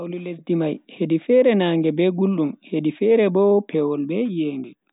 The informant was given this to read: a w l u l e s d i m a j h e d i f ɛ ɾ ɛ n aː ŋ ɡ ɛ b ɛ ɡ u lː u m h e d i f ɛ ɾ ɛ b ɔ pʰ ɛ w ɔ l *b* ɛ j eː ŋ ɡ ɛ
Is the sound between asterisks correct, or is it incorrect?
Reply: correct